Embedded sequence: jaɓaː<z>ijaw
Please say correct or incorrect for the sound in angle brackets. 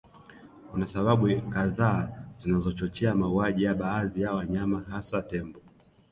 incorrect